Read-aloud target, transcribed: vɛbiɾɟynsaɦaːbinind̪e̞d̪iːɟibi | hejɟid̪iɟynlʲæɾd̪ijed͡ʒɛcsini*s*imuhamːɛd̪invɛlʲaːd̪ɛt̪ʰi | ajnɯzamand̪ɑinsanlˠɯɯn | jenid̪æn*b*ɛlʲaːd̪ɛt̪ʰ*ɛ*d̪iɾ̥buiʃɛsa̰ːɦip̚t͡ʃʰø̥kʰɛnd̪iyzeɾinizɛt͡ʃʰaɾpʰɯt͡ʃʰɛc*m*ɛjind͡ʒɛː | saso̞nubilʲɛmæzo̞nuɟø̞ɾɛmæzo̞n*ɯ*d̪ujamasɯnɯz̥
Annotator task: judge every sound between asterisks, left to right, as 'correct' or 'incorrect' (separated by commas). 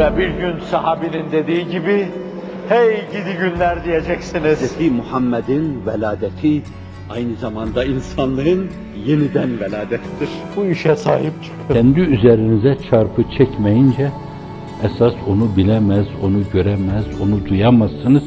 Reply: incorrect, incorrect, incorrect, correct, incorrect